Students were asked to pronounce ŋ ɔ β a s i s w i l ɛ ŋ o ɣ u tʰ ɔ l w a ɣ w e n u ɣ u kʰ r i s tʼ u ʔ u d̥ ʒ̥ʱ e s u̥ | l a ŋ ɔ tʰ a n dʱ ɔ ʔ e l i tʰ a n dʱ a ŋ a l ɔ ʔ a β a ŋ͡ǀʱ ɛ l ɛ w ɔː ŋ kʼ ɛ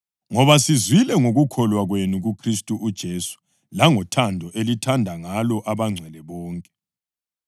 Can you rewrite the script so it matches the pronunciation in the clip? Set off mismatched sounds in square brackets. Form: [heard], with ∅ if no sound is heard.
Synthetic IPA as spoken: ŋ ɔ β a s i [z] w i l ɛ ŋ o ɣ u [kʰ] ɔ l w a ɣ w e n u ɣ u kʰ r i s tʼ u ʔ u d̥ ʒ̥ʱ e s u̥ | l a ŋ ɔ tʰ a n dʱ ɔ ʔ e l i tʰ a n dʱ a ŋ a l ɔ ʔ a β a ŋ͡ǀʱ ɛ l ɛ [β] ɔː ŋ kʼ ɛ

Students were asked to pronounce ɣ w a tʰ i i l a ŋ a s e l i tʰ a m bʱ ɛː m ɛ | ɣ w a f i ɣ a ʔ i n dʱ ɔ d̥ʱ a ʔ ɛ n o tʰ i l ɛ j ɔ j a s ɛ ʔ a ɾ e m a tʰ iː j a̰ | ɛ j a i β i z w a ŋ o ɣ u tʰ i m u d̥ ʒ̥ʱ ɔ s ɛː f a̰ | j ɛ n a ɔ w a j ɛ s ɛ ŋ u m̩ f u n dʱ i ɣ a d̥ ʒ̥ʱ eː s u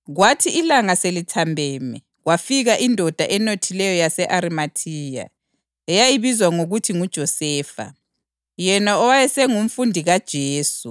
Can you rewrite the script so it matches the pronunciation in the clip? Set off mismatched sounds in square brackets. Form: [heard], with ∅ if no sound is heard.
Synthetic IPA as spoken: ɣ w a tʰ i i l a ŋ a s e l i tʰ a m bʱ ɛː m ɛ | ɣ w a f i ɣ a ʔ i n dʱ ɔ d̥ʱ a ʔ ɛ n o tʰ i l ɛ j ɔ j a s ɛ ʔ a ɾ [i] m a tʰ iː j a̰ | ɛ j a i β i z w a ŋ o ɣ u tʰ i [ŋ] u d̥ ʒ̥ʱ ɔ s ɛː f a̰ | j ɛ n a ɔ w a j ɛ s ɛ ŋ u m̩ f u n dʱ i ɣ a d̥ ʒ̥ʱ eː s u

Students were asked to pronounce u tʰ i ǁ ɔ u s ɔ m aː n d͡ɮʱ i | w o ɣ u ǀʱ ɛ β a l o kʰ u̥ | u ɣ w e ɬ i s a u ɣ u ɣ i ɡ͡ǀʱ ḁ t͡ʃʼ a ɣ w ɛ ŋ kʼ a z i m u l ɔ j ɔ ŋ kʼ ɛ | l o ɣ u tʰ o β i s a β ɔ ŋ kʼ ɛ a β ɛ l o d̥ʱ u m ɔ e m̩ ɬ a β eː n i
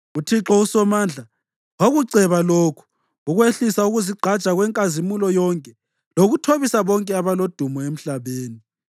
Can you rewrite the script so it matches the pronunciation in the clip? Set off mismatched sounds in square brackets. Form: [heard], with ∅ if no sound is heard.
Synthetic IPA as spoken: u tʰ i ǁ ɔ u s ɔ m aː n d͡ɮʱ [a] | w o ɣ u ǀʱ ɛ β a l o kʰ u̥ | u ɣ w e ɬ i s a u ɣ u [z] i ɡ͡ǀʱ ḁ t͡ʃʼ a ɣ w ɛ ŋ kʼ a z i m u l ɔ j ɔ ŋ kʼ ɛ | l o ɣ u tʰ o β i s a β ɔ ŋ kʼ ɛ a β [a] l o d̥ʱ u m ɔ e m̩ ɬ a β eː n i

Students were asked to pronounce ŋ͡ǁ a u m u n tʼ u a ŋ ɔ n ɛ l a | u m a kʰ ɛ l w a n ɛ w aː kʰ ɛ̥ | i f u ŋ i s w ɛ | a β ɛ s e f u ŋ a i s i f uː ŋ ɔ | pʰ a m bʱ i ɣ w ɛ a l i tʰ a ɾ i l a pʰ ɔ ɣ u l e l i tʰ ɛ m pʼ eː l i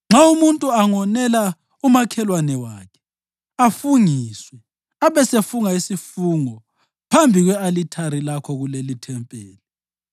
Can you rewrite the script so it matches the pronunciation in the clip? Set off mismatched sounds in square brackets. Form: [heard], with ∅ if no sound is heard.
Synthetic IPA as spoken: ŋ͡ǁ a u m u n tʼ u a ŋ ɔ n ɛ l a | u m a kʰ ɛ l w a n ɛ w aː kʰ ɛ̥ | [a] f u ŋ i s w ɛ | a β ɛ s e f u ŋ a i s i f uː ŋ ɔ | pʰ a m bʱ i ɣ w ɛ a l i tʰ a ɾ i l a [kʰ] ɔ ɣ u l e l i tʰ ɛ m pʼ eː l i

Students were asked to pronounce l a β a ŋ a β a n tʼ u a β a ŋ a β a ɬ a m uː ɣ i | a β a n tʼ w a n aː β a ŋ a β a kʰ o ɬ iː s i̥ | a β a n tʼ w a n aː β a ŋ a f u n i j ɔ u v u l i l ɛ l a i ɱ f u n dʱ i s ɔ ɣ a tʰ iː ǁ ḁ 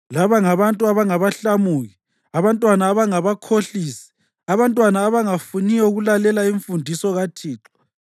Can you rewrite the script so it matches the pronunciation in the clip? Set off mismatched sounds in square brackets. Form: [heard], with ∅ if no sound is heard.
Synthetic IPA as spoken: l a β a ŋ a β a n tʼ u a β a ŋ a β a ɬ a m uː ɣ i | a β a n tʼ w a n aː β a ŋ a β a kʰ o ɬ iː s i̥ | a β a n tʼ w a n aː β a ŋ a f u n i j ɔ u [ɣ] u l [a] l ɛ l a i ɱ f u n dʱ i s ɔ ɣ a tʰ iː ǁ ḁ

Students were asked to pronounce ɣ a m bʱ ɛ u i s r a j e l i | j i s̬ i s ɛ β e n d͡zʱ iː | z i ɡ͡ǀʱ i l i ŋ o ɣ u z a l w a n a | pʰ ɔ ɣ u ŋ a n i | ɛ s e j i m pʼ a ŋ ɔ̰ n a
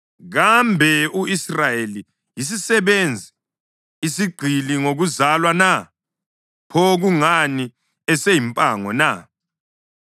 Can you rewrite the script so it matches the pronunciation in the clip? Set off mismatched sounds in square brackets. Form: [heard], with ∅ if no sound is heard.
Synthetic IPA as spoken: ɣ a m bʱ ɛ u i s r a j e l i | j i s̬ i s ɛ β e n d͡zʱ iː | [s] i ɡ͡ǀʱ i l i ŋ o ɣ u z a l w a n a | pʰ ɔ ɣ u ŋ a n i | ɛ s e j i m pʼ a ŋ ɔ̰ n a

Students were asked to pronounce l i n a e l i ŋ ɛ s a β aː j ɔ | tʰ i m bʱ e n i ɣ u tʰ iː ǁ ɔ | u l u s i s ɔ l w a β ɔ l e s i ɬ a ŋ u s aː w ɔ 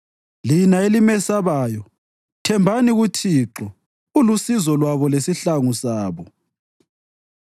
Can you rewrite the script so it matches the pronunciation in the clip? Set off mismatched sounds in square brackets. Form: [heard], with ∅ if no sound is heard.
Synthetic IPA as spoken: l i n a e l i [m] ɛ s a β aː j ɔ | tʰ [ɛ] m bʱ [a] n i ɣ u tʰ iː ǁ ɔ | u l u s i [z] ɔ l w a β ɔ l e s i ɬ a ŋ u s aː [β] ɔ

